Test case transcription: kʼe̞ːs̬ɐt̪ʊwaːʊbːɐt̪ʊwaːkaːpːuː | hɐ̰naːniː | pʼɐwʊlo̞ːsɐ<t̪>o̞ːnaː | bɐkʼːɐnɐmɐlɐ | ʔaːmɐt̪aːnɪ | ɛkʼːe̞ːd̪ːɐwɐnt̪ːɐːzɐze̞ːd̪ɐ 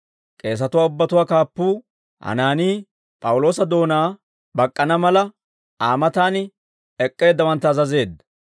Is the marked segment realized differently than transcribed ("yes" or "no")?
yes